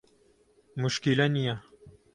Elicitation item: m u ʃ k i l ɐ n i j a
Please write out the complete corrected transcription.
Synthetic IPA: m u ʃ k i l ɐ n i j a